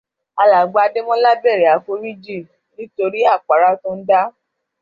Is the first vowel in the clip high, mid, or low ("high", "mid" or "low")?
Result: low